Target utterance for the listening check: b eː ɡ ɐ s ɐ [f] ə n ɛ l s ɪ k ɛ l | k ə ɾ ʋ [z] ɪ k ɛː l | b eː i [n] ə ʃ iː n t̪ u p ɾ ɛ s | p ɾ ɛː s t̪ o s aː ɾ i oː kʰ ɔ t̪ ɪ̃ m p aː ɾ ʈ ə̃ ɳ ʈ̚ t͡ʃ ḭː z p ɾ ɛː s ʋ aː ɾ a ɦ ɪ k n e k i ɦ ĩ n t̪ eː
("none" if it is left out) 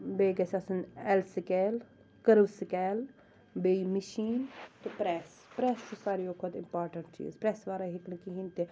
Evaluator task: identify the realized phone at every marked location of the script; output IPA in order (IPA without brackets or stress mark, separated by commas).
s, s, m